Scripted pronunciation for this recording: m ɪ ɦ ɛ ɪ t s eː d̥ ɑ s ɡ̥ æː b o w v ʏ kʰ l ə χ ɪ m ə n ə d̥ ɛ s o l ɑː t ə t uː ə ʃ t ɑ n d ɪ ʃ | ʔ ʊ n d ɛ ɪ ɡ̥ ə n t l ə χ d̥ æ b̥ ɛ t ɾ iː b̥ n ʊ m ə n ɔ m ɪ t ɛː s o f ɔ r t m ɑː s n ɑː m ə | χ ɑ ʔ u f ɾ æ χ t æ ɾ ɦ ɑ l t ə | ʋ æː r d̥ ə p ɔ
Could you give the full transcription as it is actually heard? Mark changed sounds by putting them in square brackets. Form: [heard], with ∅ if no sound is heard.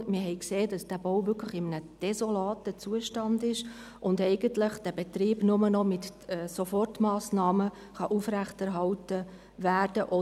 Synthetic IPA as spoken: m ɪ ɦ ɛ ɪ [k] s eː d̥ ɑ s [d̥] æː b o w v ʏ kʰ l ə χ ɪ m ə n ə d̥ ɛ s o l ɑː t ə [t͡s] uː ə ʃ t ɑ n d ɪ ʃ | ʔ ʊ n d ɛ ɪ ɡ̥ ə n t l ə χ d̥ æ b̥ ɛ t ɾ iː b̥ n ʊ m ə n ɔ m ɪ t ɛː s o f ɔ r t m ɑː s n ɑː m ə | χ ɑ ʔ u f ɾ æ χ t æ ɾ ɦ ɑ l t ə | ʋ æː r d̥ ə [ʔ] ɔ